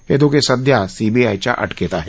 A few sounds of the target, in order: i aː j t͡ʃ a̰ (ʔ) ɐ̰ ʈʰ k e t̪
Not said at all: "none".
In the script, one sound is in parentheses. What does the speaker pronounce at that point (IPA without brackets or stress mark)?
ʔ